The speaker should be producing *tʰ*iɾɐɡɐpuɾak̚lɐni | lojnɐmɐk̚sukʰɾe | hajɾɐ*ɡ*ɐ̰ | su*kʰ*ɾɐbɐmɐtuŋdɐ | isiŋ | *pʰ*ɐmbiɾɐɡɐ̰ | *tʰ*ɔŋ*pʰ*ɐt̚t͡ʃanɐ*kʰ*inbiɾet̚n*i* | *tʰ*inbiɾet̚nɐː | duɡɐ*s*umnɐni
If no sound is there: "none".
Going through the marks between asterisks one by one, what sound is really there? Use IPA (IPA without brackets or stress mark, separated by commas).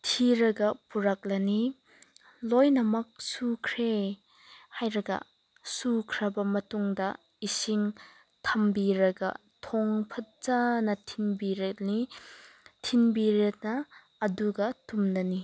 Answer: tʰ, ɡ, kʰ, tʰ, tʰ, pʰ, tʰ, i, tʰ, t